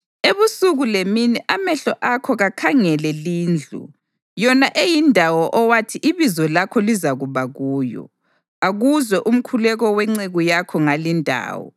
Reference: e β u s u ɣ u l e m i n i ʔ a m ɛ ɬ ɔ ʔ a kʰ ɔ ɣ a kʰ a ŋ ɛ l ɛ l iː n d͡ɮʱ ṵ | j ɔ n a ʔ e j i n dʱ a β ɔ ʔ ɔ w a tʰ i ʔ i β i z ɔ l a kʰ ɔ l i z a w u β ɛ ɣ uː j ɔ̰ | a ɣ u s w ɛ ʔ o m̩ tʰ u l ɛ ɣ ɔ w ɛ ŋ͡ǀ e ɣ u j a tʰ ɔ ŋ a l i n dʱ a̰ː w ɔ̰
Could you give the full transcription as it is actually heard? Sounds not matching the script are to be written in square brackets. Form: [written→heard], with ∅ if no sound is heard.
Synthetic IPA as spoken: e β u s u ɣ u l e m i n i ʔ a m ɛ ɬ ɔ ʔ a kʰ ɔ ɣ a kʰ a ŋ ɛ l ɛ l iː n d͡ɮʱ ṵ | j ɔ n a ʔ e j i n dʱ a [β→w] ɔ ʔ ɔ w a tʰ i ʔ i β i z ɔ l a kʰ ɔ l i z a [w→ɣ] u β [ɛ→a] ɣ uː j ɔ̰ | a ɣ u [s→z] w ɛ ʔ [o→u] m̩ [tʰ→kʰ] u l ɛ ɣ ɔ w ɛ ŋ͡ǀ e ɣ u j a [tʰ→kʰ] ɔ ŋ a l i n dʱ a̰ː w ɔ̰